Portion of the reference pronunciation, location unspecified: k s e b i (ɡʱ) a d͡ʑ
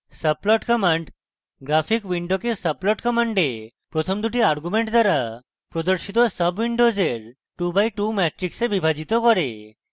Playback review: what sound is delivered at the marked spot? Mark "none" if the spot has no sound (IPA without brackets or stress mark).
bʱ